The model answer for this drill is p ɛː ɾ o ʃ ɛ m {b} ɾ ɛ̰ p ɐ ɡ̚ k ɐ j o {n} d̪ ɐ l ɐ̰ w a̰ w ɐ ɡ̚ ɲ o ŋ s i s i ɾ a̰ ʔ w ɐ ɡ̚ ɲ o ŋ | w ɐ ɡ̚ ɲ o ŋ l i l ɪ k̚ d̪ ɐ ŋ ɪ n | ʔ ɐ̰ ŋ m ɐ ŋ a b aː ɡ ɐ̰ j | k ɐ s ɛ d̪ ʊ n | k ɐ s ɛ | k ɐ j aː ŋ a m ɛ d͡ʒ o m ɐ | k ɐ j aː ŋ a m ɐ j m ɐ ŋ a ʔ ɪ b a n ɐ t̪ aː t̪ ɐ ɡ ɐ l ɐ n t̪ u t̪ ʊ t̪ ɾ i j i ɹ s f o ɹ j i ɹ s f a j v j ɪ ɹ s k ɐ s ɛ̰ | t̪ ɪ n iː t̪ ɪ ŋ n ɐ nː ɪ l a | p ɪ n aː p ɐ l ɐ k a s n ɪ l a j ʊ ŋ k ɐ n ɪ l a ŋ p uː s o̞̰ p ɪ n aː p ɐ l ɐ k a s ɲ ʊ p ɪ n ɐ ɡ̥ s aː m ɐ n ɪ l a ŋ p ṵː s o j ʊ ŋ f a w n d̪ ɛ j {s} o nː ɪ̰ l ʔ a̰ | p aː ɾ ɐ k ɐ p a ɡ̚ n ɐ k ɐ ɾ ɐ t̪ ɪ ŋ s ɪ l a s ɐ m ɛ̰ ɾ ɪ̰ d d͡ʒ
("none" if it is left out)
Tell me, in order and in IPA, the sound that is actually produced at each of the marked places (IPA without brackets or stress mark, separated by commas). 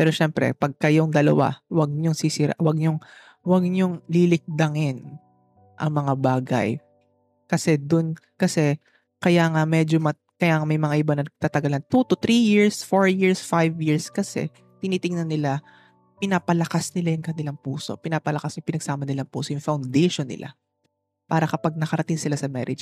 p, ŋ, ʃ